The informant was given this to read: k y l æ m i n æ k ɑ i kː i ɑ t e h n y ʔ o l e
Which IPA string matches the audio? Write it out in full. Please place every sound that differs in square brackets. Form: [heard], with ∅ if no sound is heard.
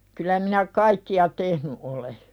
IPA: k y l æ m i n æ k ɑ i kː i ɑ t e h n y ʔ o l e